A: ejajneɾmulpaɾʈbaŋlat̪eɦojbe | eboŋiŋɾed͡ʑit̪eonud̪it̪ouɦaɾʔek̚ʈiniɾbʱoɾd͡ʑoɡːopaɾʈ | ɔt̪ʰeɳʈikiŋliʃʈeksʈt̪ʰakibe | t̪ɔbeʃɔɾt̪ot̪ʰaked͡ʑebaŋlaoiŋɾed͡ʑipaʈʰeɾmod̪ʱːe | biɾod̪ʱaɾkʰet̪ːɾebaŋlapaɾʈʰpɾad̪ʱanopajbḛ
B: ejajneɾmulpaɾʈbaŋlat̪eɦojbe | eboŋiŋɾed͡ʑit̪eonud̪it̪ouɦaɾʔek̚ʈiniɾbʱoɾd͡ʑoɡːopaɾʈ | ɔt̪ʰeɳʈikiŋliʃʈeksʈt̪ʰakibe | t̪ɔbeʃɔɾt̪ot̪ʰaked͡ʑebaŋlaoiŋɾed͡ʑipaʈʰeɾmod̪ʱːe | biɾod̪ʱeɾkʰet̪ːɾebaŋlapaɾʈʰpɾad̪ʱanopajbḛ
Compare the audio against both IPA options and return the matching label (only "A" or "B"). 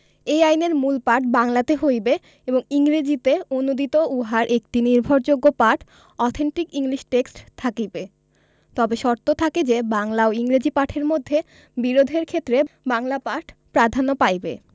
B